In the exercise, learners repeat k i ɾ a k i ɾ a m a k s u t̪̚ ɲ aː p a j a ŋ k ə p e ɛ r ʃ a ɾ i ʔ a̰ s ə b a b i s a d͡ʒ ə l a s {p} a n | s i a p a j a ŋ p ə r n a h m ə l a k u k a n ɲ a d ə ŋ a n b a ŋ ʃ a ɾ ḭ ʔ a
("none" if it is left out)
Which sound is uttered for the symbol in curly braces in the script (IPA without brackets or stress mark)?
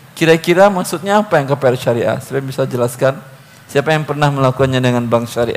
k